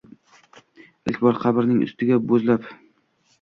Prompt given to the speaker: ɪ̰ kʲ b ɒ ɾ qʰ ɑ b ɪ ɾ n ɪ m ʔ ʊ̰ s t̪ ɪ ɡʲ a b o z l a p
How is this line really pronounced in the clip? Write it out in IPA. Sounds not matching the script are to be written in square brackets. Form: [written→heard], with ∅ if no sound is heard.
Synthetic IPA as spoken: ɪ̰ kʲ b ɒ ɾ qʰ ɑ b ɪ ɾ n ɪ [m→ŋ] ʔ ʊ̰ s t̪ ɪ ɡʲ a b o z l a p